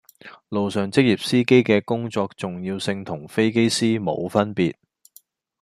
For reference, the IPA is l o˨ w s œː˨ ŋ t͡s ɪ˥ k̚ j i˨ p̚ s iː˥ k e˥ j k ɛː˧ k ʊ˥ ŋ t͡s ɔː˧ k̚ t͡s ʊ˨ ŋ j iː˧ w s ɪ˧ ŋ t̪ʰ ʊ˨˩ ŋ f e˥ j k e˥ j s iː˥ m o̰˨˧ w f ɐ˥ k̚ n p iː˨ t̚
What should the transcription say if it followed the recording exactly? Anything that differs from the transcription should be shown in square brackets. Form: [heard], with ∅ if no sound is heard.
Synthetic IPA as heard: l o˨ w s œː˨ ŋ t͡s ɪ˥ k̚ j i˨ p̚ s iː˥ k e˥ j k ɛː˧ k ʊ˥ ŋ t͡s ɔː˧ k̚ t͡s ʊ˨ ŋ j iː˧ w s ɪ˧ ŋ t̪ʰ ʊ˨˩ ŋ f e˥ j k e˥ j s iː˥ m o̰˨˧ w f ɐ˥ [∅] n p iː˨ t̚